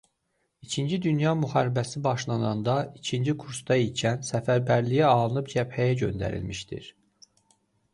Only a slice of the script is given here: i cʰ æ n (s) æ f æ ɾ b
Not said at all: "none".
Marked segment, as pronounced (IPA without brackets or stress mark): s